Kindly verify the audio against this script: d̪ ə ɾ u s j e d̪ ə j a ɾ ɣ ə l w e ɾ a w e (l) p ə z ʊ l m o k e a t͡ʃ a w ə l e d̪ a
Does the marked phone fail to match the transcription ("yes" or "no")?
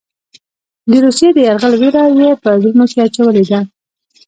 yes